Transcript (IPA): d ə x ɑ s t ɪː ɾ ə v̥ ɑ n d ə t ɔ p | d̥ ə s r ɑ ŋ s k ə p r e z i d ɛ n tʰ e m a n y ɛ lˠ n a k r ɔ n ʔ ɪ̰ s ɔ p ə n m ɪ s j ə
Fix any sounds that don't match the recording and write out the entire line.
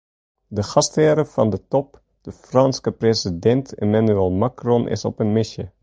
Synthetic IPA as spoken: d ə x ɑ s t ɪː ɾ ə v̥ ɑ n d ə t ɔ p | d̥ ə f r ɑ n s k ə p r e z i d ɛ n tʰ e m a n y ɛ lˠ m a k r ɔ n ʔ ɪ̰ s ɔ p ə n m ɪ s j ə